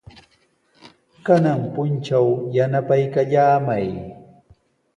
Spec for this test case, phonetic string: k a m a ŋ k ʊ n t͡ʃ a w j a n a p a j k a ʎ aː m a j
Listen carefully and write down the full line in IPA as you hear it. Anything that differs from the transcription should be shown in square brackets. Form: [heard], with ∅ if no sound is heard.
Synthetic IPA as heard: k a [n] a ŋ [p] ʊ n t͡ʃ a w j a n a p a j k a ʎ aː m a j